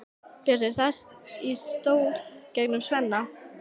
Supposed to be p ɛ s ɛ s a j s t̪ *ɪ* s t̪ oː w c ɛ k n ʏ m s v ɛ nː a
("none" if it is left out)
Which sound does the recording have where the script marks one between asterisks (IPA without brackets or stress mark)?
i